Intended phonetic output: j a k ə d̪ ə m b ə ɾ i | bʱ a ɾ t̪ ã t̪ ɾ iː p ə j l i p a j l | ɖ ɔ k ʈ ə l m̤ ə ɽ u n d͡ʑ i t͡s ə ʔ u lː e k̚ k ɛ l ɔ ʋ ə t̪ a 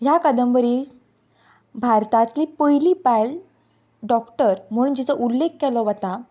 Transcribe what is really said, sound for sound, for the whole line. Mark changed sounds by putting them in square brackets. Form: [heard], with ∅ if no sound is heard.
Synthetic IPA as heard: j a k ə d̪ ə m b ə ɾ i | bʱ a ɾ t̪ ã t̪ [l] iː p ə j l i p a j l | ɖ ɔ k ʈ ə [ɾ] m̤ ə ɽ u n d͡ʑ i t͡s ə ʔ u lː e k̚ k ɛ l ɔ ʋ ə t̪ a